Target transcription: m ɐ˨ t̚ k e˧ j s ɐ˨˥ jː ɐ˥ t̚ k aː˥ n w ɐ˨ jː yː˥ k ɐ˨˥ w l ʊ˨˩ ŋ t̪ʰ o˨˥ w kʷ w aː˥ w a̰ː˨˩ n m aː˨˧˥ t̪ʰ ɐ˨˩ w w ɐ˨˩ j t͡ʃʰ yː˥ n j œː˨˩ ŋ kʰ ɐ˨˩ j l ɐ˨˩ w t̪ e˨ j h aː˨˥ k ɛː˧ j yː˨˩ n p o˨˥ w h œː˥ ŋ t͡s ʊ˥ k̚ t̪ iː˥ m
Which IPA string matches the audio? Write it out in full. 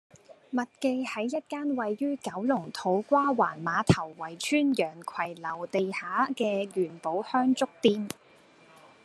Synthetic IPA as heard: m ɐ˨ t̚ k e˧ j h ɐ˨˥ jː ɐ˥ t̚ k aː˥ n w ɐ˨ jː yː˥ k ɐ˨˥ w l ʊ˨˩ ŋ t̪ʰ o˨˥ w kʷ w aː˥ w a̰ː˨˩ n m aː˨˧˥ t̪ʰ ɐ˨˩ w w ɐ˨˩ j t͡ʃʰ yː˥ n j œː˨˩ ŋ kʰ ɐ˨˩ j l ɐ˨˩ w t̪ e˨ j h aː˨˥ k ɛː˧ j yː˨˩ n p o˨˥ w h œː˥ ŋ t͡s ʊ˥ k̚ t̪ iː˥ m